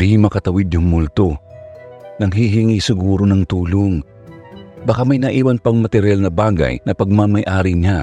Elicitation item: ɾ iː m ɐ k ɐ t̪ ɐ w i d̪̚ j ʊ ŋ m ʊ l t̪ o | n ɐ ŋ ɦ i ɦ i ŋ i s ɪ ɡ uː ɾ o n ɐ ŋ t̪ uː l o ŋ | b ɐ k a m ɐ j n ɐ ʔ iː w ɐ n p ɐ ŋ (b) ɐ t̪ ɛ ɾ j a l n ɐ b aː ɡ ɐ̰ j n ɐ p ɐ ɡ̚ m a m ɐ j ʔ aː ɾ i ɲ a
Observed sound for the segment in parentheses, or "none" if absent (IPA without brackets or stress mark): m